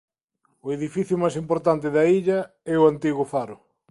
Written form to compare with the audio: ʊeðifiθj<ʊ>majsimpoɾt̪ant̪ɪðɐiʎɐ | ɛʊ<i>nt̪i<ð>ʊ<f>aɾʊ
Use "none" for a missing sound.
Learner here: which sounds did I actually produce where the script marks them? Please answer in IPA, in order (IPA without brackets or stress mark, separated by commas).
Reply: ʊ, a, ɣ, f